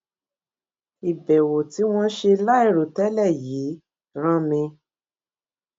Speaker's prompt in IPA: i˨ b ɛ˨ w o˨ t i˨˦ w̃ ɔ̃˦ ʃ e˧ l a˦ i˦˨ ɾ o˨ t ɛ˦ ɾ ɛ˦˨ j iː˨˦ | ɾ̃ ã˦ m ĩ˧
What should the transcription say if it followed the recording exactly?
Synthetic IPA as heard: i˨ b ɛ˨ w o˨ t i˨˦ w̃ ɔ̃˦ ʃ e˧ l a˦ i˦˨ ɾ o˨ t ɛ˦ l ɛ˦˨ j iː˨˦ | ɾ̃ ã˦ m ĩ˧